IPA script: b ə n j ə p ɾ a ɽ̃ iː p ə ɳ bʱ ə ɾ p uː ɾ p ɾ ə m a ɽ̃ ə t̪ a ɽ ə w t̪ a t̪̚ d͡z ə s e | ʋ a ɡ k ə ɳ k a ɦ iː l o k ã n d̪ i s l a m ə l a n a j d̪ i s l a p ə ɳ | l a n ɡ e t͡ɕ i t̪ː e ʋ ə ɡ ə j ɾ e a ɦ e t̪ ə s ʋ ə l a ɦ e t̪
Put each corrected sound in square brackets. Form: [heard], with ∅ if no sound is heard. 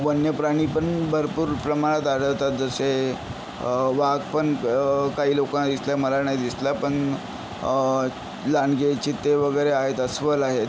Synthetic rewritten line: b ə n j ə p ɾ a ɽ̃ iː p ə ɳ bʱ ə ɾ p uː ɾ p ɾ ə m a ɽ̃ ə t̪ a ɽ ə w t̪ a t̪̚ d͡z ə s e | ʋ a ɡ [p] ə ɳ k a ɦ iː l o k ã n d̪ i s l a m ə l a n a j d̪ i s l a p ə ɳ | l a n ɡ e t͡ɕ i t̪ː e ʋ ə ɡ ə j ɾ e a ɦ e t̪ ə s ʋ ə l a ɦ e t̪

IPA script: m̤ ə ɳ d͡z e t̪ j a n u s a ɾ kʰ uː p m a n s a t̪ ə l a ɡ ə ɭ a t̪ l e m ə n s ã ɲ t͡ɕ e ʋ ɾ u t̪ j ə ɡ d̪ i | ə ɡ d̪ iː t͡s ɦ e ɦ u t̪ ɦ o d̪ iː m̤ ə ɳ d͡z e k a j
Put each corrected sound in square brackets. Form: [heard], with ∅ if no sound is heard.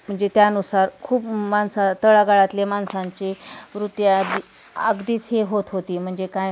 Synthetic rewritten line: m̤ ə ɳ d͡z e t̪ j a n u s a ɾ kʰ uː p m a n s a t̪ ə [ɭ] a ɡ [a] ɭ a t̪ l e m [a] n s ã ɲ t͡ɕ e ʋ ɾ u t̪ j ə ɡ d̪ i | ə ɡ d̪ iː t͡s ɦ e ɦ [o] t̪ ɦ o [t̪] iː m̤ ə ɳ d͡z e k a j

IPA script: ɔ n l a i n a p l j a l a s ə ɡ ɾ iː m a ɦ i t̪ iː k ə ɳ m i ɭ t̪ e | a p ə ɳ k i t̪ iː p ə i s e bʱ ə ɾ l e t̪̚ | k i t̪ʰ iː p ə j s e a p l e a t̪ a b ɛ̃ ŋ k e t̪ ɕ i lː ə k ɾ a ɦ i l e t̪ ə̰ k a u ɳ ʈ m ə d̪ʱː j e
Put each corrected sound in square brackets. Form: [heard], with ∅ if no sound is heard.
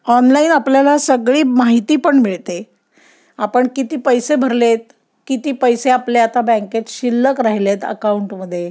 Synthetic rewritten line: ɔ n l a i n a p l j a l a s ə ɡ [ɭ] iː m a ɦ i t̪ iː [p] ə ɳ m i ɭ t̪ e | a p ə ɳ k i t̪ iː p ə [j] s e bʱ ə ɾ l e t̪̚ | k i [t̪] iː p ə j s e a p l e a t̪ a b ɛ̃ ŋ k e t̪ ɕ i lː ə k ɾ a ɦ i l e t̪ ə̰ k a u ɳ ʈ m ə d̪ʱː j e

